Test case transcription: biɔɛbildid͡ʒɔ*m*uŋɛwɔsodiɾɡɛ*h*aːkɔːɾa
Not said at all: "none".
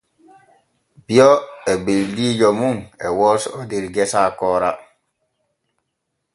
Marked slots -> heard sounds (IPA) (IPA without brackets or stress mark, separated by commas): m, s